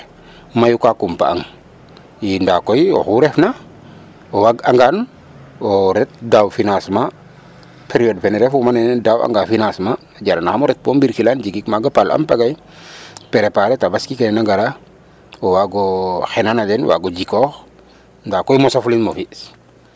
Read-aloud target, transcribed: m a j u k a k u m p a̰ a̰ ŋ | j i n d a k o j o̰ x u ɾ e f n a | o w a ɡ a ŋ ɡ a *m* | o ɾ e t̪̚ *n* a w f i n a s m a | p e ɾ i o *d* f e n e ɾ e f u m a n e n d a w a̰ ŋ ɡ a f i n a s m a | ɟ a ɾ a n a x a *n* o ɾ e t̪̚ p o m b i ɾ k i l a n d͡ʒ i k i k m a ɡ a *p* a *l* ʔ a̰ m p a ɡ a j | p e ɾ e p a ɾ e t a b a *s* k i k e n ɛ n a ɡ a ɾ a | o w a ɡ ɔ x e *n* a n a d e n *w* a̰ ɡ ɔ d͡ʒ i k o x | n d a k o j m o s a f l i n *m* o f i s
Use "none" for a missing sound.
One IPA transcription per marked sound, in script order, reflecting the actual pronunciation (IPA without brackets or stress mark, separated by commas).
n, d, d, m, p, l, s, n, w, m